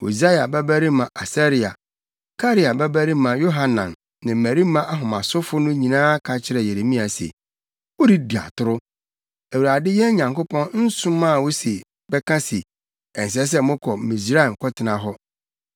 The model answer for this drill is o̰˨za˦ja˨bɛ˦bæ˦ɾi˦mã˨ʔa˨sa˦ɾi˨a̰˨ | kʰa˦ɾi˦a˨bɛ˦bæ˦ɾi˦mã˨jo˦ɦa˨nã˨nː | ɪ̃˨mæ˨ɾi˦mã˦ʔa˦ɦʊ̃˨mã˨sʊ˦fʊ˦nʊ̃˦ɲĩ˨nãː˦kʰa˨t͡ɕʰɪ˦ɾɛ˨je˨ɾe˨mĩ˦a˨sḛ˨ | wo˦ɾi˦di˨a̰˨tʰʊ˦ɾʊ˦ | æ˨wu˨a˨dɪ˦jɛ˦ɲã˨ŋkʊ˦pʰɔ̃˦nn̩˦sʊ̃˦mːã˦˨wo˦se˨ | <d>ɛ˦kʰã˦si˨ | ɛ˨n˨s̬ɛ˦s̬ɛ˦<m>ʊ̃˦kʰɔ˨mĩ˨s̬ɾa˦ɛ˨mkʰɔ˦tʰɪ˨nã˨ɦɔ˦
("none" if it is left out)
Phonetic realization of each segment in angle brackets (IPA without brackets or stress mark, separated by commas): b, m